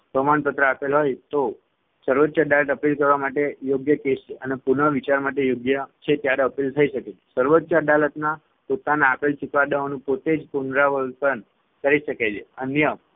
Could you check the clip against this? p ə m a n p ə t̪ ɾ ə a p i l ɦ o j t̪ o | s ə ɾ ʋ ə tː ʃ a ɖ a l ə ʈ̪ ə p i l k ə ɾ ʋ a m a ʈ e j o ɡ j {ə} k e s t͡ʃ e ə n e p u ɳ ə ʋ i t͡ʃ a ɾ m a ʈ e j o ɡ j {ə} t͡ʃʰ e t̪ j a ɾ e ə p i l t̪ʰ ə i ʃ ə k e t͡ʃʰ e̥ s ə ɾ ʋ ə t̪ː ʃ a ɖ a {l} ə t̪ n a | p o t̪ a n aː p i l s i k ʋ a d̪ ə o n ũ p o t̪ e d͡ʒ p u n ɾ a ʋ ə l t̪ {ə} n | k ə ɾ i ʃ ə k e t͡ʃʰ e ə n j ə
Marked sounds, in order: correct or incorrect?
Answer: correct, correct, correct, correct

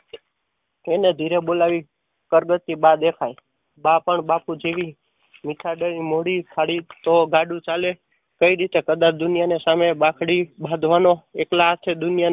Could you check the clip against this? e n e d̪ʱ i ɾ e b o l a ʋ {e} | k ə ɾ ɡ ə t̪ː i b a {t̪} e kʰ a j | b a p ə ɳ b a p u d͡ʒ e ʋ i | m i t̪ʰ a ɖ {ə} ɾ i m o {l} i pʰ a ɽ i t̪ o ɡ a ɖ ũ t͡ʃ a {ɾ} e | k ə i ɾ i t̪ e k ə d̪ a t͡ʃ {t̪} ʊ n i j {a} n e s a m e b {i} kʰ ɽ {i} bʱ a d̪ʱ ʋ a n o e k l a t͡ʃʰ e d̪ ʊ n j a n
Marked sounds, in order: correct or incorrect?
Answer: incorrect, incorrect, correct, incorrect, incorrect, incorrect, correct, incorrect, correct

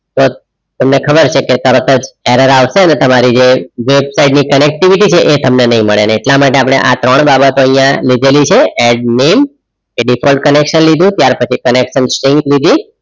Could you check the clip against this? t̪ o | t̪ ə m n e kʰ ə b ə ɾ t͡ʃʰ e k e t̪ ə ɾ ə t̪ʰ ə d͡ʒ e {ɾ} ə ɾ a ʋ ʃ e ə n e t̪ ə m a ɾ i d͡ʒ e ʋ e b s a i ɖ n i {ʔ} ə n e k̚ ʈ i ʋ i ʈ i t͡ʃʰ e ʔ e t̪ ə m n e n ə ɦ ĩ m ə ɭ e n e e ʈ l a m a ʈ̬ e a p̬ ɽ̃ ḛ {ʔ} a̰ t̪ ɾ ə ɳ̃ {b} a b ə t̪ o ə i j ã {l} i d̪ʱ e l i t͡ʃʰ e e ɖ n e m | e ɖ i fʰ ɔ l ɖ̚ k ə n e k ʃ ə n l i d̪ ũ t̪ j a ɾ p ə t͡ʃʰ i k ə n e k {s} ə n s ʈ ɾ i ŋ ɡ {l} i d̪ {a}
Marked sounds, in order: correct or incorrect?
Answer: correct, incorrect, correct, correct, correct, incorrect, correct, incorrect

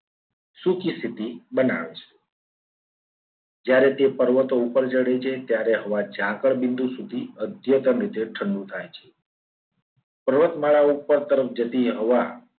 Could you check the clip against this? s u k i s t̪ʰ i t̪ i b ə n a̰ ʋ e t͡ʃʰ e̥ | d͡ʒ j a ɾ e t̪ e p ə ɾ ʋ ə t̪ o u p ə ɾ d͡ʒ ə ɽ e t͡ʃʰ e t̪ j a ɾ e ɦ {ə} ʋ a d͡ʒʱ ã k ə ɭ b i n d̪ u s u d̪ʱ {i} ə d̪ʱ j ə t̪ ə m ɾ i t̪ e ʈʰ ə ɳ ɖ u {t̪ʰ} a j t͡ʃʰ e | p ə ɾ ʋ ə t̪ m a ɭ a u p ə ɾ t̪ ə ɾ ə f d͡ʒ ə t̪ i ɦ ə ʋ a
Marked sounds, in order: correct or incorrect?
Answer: correct, correct, correct

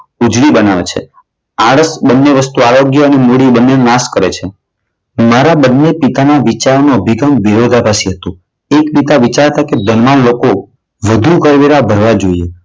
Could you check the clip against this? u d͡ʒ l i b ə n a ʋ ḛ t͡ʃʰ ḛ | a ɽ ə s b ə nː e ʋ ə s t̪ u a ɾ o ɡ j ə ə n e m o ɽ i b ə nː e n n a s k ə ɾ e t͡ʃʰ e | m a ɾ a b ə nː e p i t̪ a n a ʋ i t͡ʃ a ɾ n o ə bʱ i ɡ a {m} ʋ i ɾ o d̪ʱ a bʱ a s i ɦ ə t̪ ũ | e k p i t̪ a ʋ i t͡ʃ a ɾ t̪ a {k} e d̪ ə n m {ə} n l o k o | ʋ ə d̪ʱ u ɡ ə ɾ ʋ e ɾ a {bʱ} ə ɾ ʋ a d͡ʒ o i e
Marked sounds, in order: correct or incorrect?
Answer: correct, correct, incorrect, correct

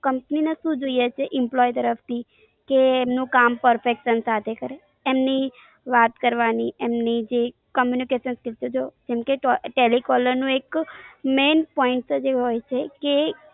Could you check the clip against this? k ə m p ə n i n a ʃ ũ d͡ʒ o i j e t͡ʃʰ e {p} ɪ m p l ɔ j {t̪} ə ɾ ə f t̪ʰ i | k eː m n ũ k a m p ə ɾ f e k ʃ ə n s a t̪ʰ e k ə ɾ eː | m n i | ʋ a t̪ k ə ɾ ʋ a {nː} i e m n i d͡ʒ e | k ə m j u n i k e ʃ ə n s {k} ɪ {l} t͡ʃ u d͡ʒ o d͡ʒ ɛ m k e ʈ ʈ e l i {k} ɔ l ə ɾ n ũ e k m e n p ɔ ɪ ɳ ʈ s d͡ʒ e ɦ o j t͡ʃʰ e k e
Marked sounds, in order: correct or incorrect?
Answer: incorrect, correct, incorrect, correct, correct, correct

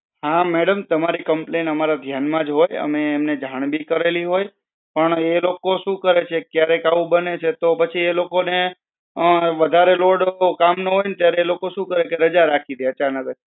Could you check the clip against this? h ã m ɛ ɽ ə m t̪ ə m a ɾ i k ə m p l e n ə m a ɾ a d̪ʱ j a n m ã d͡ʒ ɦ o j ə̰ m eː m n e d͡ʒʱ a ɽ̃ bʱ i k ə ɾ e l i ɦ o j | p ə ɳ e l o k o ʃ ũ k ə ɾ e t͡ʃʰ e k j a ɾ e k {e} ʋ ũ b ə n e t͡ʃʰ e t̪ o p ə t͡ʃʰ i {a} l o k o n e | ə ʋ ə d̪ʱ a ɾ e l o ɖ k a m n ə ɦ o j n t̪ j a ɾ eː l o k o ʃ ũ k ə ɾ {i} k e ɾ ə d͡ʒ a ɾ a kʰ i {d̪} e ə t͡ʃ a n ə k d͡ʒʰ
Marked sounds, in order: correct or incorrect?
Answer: incorrect, incorrect, incorrect, correct

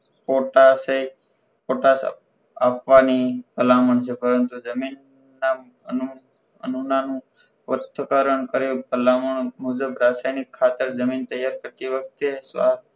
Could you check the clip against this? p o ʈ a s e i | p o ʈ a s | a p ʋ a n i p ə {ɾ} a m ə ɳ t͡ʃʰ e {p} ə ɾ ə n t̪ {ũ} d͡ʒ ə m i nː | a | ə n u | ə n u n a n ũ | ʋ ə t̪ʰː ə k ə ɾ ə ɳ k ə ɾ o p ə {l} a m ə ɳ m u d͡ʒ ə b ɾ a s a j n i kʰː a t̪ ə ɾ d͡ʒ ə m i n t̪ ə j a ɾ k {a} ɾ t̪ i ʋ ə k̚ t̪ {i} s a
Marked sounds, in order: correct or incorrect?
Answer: incorrect, correct, incorrect, correct, incorrect, incorrect

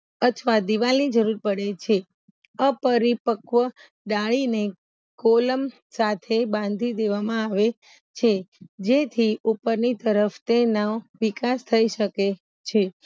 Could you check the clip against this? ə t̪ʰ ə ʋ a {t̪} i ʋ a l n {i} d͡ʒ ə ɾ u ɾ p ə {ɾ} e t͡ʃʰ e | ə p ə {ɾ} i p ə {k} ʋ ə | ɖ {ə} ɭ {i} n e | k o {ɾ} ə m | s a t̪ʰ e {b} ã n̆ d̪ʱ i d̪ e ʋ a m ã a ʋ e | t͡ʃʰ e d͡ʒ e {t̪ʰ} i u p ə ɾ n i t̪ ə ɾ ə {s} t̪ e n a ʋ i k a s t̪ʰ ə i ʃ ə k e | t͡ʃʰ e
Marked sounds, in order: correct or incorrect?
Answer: incorrect, correct, incorrect, correct, correct, incorrect, correct, incorrect, correct, correct, incorrect

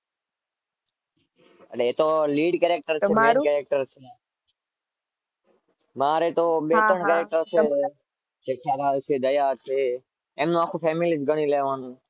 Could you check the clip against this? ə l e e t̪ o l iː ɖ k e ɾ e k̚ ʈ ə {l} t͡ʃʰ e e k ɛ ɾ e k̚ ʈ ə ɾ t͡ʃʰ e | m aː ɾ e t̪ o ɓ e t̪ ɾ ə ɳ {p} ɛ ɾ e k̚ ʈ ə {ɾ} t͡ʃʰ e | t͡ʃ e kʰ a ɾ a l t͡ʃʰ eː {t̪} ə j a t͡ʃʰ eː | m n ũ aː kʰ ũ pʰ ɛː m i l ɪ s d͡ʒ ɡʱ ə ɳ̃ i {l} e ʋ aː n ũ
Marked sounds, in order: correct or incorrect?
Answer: incorrect, incorrect, correct, incorrect, correct

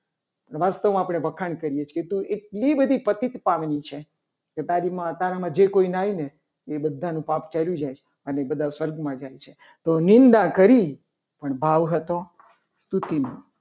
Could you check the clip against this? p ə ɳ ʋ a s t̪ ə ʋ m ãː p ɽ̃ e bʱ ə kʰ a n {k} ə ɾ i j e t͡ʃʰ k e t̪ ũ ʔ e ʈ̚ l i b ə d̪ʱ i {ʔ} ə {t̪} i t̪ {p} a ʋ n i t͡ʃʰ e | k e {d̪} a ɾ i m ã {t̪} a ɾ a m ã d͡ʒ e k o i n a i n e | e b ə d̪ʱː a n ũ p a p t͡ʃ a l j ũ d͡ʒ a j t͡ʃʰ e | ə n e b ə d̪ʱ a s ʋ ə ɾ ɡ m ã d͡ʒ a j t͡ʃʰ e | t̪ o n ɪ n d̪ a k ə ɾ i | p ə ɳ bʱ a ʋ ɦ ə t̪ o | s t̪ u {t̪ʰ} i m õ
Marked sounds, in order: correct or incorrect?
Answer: correct, incorrect, correct, correct, incorrect, correct, incorrect

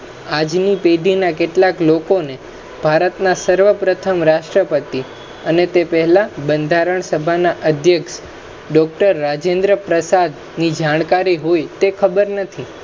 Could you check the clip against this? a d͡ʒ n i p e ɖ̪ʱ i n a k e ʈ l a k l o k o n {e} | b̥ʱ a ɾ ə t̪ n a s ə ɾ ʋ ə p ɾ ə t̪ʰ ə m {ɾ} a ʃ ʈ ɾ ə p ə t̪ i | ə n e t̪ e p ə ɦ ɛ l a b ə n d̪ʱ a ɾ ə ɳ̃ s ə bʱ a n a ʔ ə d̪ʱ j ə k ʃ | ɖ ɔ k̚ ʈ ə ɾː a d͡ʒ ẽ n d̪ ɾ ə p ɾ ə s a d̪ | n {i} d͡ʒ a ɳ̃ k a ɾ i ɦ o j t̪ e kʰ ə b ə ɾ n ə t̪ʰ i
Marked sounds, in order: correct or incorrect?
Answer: correct, correct, correct

